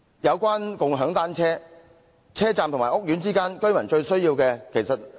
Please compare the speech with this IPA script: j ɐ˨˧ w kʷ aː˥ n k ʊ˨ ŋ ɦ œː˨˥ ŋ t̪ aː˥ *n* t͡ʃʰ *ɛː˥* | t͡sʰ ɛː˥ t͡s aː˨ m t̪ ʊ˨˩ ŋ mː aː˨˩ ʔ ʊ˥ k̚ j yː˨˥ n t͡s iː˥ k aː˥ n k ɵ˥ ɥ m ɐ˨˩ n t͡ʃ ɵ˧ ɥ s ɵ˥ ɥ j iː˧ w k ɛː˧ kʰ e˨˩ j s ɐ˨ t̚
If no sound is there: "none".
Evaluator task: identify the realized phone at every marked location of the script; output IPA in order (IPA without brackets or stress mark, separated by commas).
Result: n, ɛː˥